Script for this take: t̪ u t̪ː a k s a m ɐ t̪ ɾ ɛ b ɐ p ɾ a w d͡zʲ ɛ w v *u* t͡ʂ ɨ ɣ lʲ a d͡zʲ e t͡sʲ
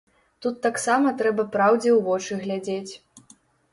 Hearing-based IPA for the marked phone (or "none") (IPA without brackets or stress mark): ɔ